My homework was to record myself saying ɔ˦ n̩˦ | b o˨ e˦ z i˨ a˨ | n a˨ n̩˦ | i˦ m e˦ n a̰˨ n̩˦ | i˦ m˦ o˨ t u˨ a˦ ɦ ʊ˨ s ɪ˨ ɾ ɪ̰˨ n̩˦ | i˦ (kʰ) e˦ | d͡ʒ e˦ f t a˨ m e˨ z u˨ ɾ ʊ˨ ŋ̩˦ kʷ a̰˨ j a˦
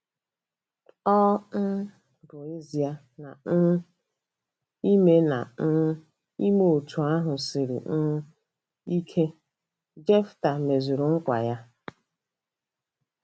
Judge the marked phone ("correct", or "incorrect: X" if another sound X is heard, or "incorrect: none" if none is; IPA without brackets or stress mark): correct